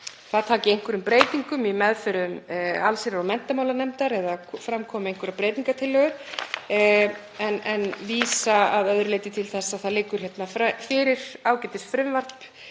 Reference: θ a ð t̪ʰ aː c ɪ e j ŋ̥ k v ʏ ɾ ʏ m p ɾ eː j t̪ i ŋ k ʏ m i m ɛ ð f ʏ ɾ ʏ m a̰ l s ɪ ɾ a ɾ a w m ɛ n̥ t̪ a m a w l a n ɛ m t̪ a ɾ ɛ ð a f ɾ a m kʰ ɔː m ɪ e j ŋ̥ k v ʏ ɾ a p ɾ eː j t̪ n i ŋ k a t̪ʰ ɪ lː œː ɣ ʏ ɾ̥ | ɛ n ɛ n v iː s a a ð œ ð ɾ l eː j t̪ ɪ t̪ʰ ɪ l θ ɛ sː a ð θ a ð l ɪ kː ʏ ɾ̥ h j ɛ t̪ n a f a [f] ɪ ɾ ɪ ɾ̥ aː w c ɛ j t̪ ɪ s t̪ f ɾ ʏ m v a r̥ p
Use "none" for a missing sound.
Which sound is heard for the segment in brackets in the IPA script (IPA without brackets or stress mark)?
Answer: f